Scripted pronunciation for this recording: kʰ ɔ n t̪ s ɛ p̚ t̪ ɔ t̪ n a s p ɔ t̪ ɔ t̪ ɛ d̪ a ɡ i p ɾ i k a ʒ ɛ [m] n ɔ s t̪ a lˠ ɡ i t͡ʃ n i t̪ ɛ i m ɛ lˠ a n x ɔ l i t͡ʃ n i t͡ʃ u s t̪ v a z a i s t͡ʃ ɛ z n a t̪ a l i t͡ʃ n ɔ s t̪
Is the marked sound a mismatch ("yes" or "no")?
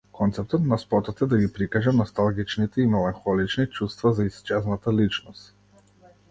no